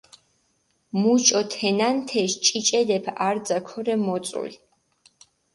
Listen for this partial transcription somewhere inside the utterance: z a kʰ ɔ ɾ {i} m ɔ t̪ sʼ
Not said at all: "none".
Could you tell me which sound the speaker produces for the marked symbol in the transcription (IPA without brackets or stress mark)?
ɛ